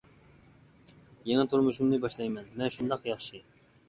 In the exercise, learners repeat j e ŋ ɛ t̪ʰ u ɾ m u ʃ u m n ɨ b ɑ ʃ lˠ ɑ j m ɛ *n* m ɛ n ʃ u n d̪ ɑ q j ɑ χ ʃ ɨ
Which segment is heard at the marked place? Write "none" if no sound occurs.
n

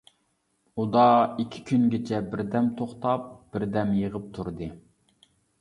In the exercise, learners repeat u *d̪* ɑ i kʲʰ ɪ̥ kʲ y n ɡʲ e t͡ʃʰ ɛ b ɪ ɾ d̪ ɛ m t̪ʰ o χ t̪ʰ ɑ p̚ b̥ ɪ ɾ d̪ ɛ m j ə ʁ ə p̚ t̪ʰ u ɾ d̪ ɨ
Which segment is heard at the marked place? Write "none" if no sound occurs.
d̪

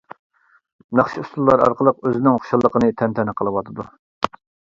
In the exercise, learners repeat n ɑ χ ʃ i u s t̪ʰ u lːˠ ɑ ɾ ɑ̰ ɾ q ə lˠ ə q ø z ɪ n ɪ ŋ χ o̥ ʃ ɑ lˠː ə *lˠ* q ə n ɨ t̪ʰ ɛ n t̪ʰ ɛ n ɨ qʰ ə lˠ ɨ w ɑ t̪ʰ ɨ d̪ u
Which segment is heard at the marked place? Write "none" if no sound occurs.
none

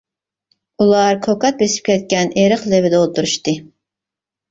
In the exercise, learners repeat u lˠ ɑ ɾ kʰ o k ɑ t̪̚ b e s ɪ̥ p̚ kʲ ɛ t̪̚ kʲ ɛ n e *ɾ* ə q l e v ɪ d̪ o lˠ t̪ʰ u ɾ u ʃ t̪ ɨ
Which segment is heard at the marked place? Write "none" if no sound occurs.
ɾ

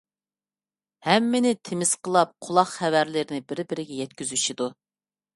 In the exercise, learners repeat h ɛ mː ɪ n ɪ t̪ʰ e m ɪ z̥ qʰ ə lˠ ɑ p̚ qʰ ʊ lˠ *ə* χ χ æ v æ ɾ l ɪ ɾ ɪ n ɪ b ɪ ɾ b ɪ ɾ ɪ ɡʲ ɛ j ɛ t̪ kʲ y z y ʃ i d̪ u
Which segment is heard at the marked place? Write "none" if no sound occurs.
ɑ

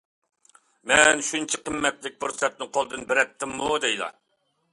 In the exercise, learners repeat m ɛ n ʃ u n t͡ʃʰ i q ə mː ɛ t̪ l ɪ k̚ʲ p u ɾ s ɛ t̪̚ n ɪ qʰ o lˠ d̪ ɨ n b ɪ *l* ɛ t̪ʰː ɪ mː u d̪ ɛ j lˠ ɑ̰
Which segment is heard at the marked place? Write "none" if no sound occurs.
ɾ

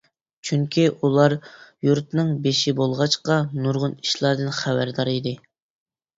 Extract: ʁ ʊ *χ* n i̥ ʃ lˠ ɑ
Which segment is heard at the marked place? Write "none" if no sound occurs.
none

